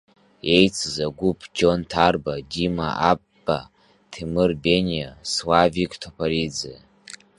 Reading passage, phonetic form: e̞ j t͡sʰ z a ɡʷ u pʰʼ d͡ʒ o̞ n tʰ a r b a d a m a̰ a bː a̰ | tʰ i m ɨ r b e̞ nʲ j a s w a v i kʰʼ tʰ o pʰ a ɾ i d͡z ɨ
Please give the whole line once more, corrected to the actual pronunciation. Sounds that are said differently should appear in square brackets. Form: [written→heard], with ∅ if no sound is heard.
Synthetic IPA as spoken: e̞ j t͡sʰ z a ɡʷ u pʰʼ d͡ʒ o̞ n tʰ a r b a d [a→i] m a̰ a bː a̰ | tʰ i m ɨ r b e̞ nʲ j a s w a v i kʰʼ tʰ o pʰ a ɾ i d͡z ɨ